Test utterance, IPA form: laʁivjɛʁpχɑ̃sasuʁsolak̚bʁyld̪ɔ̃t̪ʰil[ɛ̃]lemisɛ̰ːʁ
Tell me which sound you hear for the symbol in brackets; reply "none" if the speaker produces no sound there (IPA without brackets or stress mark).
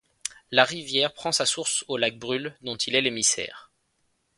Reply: ɛ